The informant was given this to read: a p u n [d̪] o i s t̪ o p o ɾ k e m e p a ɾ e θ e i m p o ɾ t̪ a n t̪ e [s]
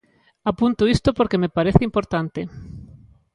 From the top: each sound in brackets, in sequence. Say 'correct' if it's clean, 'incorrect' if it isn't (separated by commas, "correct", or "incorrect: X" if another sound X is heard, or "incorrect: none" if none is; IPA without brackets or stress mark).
incorrect: t̪, incorrect: none